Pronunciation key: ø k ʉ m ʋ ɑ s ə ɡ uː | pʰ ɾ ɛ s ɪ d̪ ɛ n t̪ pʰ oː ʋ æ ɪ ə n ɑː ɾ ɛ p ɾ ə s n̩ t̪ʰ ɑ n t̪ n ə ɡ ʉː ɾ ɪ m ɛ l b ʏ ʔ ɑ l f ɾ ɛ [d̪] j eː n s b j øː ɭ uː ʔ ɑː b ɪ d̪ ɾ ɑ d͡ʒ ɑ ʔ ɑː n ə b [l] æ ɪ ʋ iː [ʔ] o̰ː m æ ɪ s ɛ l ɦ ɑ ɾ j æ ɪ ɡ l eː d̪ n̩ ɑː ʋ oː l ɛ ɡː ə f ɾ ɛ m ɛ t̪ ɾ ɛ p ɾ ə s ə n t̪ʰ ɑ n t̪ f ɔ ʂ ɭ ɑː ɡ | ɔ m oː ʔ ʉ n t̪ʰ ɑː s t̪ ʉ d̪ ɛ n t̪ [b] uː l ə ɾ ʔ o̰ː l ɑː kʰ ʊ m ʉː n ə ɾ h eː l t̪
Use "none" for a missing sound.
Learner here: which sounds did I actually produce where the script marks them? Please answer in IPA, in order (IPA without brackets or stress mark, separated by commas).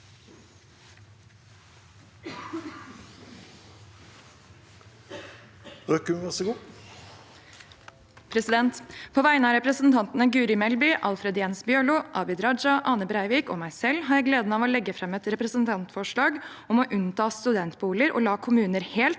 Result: d̪, ɾ, k, b